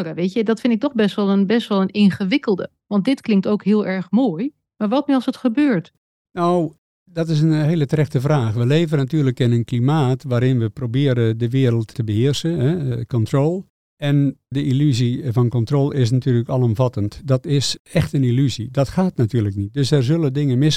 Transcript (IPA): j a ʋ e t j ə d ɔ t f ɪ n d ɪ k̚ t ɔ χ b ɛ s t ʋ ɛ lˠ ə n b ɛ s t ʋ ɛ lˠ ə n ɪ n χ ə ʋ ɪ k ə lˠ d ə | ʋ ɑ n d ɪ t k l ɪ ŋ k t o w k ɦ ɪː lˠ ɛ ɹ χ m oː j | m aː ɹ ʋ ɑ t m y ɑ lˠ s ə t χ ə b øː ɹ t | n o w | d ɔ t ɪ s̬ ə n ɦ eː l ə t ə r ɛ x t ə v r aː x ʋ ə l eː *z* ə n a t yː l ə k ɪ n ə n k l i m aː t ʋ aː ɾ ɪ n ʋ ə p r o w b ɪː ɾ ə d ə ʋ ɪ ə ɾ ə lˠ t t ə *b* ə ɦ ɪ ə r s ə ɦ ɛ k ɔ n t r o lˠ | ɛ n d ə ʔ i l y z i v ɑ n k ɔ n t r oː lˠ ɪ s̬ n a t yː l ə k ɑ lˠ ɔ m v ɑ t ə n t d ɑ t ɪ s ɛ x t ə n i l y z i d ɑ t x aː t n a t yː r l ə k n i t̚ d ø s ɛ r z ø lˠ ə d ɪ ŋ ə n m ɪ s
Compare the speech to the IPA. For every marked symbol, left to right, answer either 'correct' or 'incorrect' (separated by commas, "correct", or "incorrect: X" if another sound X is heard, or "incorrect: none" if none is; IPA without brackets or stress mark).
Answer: incorrect: v, correct